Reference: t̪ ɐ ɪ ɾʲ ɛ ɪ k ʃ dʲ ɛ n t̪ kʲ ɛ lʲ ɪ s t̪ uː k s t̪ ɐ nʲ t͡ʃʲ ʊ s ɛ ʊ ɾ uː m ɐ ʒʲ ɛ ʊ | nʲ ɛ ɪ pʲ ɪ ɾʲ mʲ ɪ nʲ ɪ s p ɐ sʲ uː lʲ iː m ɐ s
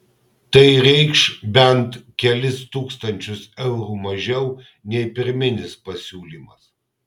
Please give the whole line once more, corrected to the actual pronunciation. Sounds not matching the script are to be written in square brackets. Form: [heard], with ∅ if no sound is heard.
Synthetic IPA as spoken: t̪ ɐ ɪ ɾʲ ɛ ɪ k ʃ [bʲ] ɛ n t̪ kʲ ɛ lʲ ɪ s t̪ uː k s t̪ ɐ nʲ t͡ʃʲ ʊ s ɛ ʊ ɾ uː m ɐ ʒʲ ɛ ʊ | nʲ ɛ ɪ pʲ ɪ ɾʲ mʲ ɪ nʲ ɪ s p ɐ sʲ uː lʲ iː m ɐ s